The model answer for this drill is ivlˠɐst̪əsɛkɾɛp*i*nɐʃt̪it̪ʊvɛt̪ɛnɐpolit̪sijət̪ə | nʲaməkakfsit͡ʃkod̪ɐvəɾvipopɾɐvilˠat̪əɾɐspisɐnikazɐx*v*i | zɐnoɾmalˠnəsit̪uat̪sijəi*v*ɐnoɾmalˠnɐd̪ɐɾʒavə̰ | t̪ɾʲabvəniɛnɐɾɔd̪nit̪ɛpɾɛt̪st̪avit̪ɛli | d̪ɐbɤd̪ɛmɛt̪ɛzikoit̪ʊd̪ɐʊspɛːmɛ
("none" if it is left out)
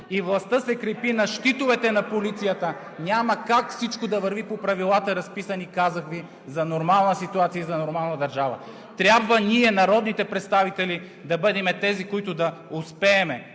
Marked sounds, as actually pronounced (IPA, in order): i, v, z

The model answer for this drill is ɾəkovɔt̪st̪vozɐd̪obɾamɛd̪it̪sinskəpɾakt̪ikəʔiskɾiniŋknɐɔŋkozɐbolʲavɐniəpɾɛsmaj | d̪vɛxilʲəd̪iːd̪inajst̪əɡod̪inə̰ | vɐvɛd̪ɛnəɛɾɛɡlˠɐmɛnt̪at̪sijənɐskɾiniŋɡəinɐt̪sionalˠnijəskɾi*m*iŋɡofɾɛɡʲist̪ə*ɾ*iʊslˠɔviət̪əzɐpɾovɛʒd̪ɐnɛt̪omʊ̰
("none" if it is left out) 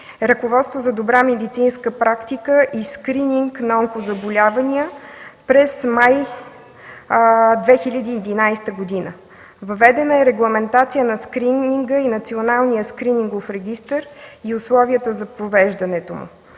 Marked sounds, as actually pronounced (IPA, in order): n, ɾ

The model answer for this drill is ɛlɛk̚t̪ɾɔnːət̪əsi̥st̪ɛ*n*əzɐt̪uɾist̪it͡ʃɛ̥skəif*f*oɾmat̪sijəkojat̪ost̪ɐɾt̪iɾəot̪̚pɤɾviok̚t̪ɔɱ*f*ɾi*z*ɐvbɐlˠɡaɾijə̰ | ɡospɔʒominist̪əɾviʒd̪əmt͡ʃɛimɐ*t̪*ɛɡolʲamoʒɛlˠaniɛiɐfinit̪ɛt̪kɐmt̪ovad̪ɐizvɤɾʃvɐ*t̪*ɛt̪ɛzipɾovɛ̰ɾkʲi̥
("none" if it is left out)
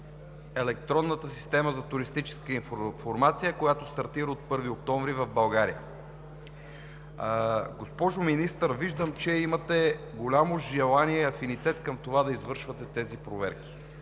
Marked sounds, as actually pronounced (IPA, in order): m, f, v, v, t̪, t̪

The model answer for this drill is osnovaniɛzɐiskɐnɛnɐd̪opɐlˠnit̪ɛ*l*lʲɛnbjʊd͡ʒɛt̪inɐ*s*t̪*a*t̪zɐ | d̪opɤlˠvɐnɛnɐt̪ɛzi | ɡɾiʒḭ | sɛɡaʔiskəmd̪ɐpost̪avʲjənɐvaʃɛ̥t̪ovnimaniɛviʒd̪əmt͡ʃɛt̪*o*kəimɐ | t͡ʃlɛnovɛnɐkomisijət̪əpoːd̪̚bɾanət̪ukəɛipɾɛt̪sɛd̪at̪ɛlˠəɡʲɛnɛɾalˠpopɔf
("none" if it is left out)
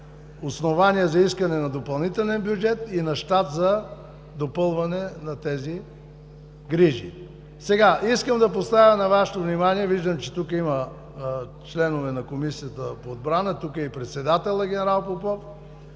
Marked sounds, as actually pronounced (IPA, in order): l, ʃ, a, u

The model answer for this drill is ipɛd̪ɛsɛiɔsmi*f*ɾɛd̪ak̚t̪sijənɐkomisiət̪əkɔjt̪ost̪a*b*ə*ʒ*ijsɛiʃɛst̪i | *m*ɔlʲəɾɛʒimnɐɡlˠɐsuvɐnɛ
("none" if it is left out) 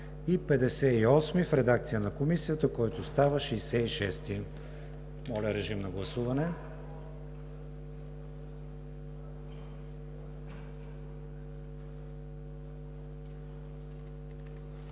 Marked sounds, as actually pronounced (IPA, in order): f, v, ʃ, m

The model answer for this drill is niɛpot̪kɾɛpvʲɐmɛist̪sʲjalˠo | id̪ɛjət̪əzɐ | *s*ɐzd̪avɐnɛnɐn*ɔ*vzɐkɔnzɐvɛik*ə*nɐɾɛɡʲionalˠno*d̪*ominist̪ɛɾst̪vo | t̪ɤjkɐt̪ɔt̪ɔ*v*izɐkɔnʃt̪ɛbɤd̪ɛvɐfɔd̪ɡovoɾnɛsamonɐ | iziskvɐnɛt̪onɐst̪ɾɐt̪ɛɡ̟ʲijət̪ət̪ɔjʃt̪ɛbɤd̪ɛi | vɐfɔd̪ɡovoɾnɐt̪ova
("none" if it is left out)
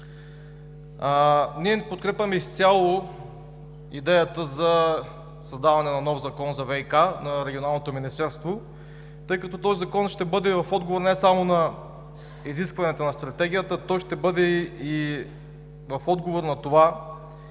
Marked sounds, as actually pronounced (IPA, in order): s, ɔ, a, t̪, z

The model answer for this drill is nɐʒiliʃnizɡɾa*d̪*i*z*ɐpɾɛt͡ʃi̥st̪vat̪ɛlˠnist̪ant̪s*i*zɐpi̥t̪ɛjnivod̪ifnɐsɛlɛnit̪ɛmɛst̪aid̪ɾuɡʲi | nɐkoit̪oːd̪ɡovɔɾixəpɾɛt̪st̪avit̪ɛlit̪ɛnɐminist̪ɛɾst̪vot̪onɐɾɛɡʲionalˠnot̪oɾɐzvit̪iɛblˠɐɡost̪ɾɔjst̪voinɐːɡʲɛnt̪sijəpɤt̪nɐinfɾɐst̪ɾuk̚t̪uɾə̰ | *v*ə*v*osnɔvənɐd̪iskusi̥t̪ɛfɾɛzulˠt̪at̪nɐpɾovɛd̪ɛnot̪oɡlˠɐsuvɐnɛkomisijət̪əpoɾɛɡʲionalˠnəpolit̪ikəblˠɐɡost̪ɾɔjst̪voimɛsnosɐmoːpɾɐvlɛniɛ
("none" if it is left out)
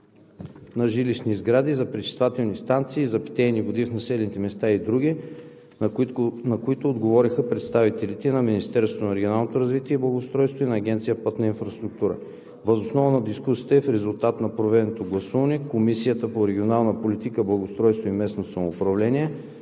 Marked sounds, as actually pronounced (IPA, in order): d̪, z, iː, v, z

